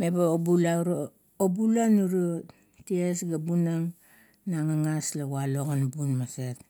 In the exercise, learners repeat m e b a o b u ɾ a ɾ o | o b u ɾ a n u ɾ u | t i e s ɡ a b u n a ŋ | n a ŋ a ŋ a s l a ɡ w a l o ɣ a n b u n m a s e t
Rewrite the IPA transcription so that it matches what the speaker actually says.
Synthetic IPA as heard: m e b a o b u l a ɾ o | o b u l a n u ɾ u | t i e s ɡ a b u n a ŋ | n a ŋ a ŋ a s l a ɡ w a l o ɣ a n b u n m a s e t